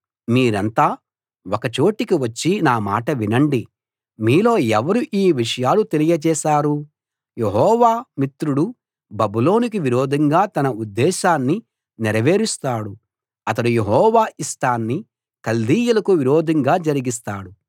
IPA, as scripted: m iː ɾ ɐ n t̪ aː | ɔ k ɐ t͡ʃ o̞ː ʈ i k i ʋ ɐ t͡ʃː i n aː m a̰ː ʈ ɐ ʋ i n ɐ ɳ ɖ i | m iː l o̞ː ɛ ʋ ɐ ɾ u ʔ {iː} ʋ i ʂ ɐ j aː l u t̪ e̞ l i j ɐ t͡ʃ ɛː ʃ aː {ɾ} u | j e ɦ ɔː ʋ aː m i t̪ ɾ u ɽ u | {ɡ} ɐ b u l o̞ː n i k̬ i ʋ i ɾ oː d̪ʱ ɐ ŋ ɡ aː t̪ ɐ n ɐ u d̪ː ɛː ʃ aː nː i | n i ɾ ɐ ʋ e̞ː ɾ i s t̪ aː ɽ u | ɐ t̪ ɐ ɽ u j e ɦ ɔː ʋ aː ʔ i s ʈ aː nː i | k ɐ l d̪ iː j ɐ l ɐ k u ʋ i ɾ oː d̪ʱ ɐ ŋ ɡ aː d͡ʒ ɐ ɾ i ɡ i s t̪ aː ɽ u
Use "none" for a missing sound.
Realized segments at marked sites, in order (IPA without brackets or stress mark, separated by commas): iː, ɾ, b